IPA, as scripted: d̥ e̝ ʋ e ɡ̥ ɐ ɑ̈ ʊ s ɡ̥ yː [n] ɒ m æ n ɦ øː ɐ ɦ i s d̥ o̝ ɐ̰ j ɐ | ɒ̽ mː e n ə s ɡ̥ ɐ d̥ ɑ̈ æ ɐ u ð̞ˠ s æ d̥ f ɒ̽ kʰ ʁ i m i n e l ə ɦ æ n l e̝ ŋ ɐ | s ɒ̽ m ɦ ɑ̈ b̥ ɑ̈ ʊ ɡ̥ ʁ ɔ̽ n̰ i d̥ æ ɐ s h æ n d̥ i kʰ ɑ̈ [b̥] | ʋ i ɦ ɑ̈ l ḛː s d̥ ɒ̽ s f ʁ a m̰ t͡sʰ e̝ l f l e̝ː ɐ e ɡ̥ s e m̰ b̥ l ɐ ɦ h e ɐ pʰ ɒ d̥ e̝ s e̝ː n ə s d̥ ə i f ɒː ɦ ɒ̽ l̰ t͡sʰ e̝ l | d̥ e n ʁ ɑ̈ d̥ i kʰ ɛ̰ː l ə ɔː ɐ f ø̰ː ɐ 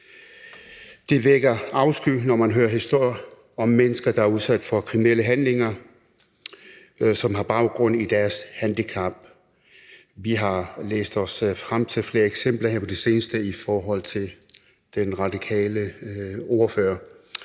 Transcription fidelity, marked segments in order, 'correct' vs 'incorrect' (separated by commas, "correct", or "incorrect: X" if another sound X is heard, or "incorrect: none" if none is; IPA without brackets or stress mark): correct, correct